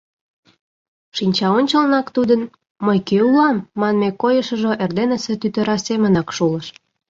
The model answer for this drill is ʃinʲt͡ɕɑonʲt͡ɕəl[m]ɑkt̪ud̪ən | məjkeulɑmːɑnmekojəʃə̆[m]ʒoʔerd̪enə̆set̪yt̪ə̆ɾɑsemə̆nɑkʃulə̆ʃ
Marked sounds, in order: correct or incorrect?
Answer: incorrect: n, incorrect: none

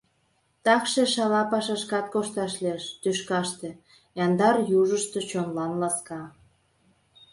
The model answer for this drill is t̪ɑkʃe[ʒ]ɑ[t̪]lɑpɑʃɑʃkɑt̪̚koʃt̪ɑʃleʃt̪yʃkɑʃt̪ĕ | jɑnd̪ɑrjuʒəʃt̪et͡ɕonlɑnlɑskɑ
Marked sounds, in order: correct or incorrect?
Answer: incorrect: ʃ, incorrect: none

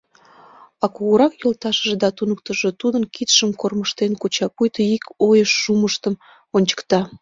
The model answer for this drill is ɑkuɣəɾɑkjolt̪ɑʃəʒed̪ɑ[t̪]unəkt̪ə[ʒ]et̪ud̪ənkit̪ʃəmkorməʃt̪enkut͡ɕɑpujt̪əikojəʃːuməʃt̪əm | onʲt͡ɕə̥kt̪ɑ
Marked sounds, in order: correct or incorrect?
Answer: correct, correct

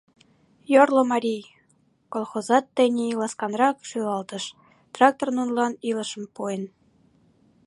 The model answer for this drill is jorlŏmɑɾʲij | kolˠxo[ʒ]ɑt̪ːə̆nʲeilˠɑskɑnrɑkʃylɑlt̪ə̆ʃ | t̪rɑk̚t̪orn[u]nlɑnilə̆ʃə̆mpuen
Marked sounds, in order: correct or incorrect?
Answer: incorrect: z, correct

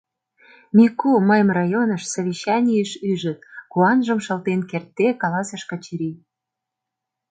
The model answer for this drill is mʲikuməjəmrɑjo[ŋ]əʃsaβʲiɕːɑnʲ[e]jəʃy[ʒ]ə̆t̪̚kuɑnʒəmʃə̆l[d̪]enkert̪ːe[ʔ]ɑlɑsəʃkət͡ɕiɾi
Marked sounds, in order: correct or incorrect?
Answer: incorrect: n, incorrect: i, correct, incorrect: t̪, incorrect: k

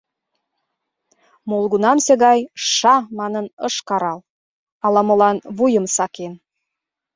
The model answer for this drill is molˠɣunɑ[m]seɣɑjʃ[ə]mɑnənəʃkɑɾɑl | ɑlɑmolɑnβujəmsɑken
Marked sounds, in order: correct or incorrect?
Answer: correct, incorrect: ɑ

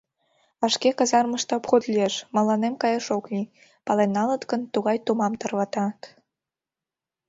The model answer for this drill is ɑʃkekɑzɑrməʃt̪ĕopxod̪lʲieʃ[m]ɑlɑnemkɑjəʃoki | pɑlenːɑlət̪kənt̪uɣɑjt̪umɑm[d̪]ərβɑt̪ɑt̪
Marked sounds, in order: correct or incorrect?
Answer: correct, incorrect: t̪

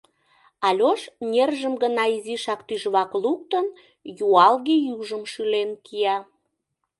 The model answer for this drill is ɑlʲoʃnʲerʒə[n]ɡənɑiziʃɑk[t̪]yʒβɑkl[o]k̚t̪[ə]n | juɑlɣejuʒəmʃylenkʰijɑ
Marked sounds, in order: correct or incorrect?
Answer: incorrect: m, correct, incorrect: u, correct

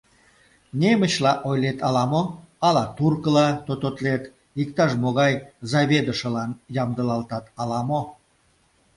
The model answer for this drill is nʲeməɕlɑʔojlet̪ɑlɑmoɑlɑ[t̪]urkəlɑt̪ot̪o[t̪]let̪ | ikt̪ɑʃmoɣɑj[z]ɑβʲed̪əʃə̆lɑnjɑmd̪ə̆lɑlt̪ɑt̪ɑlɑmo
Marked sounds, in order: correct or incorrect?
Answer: correct, correct, correct

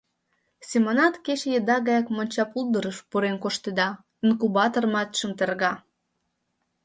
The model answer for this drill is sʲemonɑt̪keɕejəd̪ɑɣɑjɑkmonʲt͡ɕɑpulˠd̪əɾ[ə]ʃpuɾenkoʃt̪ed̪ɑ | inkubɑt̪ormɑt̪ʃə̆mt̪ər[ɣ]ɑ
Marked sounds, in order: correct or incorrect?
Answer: correct, correct

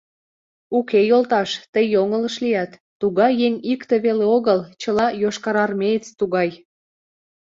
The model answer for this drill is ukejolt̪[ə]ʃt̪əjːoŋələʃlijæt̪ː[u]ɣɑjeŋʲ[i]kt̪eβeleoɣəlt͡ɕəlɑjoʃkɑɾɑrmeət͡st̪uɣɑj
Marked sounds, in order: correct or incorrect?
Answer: incorrect: ɑ, correct, correct

